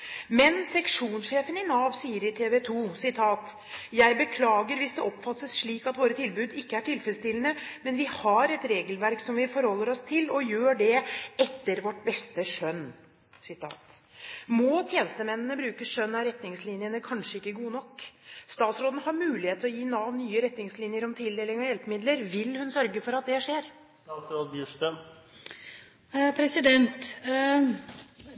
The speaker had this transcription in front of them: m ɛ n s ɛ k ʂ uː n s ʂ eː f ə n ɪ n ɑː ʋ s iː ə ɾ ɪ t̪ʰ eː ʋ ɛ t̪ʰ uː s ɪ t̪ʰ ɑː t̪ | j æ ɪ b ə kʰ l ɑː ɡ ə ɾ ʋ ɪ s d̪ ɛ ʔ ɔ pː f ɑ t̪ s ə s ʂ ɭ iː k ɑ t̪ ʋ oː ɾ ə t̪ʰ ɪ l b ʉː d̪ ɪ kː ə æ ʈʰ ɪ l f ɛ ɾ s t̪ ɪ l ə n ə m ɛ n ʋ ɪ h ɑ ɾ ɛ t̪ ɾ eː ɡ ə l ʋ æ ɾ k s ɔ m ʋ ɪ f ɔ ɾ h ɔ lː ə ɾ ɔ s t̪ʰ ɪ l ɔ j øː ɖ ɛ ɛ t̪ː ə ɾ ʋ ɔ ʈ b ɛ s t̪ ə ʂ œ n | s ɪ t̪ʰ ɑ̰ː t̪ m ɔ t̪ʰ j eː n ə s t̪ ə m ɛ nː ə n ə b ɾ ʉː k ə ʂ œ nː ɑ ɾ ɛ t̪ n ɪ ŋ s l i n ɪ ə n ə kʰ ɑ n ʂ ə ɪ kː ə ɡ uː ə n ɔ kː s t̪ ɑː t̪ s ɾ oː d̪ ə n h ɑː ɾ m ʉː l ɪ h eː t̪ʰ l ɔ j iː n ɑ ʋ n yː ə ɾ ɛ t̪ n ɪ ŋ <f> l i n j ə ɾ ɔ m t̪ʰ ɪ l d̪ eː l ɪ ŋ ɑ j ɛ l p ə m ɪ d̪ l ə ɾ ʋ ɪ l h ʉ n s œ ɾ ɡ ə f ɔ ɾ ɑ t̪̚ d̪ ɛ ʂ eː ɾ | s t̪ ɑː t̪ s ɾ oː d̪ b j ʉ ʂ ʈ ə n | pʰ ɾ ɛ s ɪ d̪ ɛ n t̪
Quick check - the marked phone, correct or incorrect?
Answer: incorrect